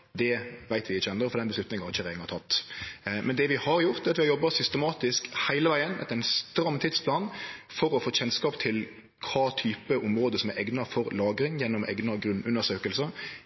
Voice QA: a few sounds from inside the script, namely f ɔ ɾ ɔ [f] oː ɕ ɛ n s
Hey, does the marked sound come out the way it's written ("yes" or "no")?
yes